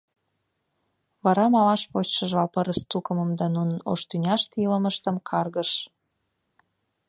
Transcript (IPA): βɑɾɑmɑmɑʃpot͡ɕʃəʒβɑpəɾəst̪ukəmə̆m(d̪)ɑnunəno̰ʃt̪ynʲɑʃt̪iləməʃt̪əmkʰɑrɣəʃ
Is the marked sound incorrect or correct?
correct